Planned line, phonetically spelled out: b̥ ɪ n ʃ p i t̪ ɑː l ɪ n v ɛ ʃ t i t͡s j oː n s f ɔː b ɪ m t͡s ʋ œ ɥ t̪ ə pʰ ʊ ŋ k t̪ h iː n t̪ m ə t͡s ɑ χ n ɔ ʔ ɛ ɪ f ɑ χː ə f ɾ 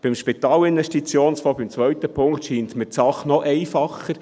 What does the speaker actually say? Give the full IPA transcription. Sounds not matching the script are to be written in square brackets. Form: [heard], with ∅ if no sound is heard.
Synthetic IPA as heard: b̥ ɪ [m] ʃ p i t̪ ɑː l ɪ n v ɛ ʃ t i t͡s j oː n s f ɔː b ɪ m t͡s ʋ œ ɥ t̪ ə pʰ ʊ ŋ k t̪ [ʃ] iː n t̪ m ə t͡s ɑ χ n ɔ ʔ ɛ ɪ f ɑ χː ə [∅] ɾ